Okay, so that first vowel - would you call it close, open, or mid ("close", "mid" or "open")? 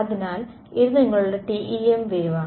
open